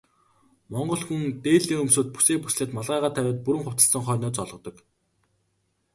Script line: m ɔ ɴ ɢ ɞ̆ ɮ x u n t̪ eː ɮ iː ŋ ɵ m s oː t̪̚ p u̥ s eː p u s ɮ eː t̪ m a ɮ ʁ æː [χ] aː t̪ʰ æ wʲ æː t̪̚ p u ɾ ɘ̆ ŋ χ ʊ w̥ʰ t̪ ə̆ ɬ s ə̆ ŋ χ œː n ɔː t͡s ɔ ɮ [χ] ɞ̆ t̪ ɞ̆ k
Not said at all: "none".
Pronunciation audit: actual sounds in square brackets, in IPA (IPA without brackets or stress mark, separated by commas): ʁ, ʁ